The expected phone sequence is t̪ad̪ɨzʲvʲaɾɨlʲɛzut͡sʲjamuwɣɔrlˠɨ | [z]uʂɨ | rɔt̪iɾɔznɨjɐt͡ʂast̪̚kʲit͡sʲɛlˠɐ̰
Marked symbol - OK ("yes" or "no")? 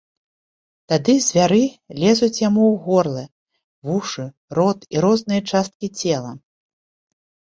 no